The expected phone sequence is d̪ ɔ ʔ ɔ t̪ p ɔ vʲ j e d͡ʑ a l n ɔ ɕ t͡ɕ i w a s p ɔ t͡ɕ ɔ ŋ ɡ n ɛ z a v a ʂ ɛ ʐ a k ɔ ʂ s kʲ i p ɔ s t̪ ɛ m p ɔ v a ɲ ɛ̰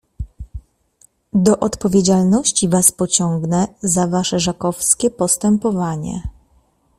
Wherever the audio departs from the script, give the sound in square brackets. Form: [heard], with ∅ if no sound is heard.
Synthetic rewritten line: d̪ ɔ ʔ ɔ t̪ p ɔ vʲ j e d͡ʑ a l n ɔ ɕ t͡ɕ i [v] a s p ɔ t͡ɕ ɔ ŋ ɡ n ɛ z a v a ʂ ɛ ʐ a k ɔ [f] s kʲ [ɛ] p ɔ s t̪ ɛ m p ɔ v a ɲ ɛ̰